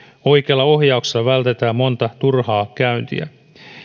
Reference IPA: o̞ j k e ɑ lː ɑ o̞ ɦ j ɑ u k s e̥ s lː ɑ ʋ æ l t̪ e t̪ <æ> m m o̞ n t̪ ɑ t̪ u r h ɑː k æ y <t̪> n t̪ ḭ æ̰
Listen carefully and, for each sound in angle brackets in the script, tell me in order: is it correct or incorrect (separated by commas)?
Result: incorrect, incorrect